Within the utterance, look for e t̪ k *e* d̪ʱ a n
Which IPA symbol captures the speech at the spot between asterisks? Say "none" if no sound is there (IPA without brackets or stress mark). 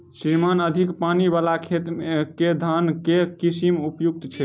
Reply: e